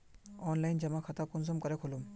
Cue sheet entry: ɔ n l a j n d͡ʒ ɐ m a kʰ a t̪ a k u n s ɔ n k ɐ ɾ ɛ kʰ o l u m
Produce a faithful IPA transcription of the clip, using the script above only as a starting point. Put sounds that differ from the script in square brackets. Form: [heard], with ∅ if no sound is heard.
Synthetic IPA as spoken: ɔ n l a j n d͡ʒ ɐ m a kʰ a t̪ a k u n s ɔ [m] k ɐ ɾ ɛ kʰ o l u m